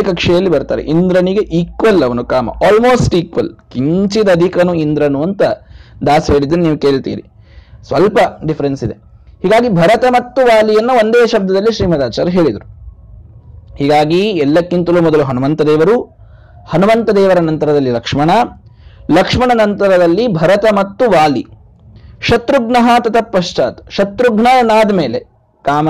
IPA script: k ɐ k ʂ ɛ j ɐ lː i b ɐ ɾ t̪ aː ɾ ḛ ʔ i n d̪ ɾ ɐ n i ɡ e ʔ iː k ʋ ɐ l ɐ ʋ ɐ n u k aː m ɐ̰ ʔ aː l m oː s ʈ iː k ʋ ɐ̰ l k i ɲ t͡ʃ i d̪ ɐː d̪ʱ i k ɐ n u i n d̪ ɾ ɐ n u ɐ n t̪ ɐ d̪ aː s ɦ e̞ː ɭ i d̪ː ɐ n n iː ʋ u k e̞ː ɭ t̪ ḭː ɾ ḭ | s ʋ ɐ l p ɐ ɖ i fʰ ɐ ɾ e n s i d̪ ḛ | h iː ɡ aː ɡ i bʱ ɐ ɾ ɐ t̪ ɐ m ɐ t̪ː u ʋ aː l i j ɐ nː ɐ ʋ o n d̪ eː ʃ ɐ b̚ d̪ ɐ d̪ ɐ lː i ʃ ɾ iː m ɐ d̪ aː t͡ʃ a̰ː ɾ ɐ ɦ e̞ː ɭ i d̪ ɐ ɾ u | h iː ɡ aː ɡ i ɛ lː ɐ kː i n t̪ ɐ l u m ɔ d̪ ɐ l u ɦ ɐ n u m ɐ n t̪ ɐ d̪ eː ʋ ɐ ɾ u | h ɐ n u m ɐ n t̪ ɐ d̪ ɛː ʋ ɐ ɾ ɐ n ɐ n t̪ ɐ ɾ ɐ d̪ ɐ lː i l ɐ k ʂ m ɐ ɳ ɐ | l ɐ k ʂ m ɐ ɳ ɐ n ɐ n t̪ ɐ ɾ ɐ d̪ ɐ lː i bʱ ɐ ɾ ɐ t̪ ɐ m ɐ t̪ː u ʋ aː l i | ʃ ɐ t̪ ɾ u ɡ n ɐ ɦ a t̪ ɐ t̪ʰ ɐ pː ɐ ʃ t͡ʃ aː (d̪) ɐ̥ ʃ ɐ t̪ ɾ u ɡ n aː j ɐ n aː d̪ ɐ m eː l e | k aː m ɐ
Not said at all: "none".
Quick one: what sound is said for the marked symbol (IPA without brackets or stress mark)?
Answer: t̪